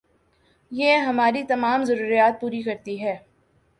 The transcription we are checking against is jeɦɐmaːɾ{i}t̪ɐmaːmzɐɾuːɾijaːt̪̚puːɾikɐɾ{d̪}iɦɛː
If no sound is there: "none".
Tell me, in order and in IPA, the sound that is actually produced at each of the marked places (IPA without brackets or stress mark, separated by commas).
i, t̪